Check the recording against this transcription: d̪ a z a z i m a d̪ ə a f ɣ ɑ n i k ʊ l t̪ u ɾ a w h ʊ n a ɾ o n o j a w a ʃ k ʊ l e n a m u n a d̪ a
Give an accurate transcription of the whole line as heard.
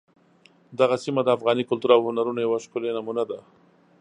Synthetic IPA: d̪ a ɣ a s i m a d̪ ə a f ɣ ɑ n i k ʊ l t̪ u ɾ a w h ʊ n a ɾ u n o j a w a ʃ k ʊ l e n a m u n a d̪ a